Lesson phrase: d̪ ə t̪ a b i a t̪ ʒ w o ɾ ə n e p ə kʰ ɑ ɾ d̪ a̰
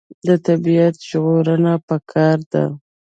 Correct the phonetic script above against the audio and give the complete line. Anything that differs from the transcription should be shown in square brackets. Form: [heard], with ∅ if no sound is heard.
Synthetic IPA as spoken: d̪ ə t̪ a b i a t̪ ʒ [ɣ] o ɾ ə n [a] p ə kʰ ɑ ɾ d̪ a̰